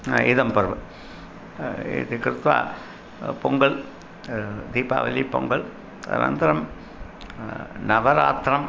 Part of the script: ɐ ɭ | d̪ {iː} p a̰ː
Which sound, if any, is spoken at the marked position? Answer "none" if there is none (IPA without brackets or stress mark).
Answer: iː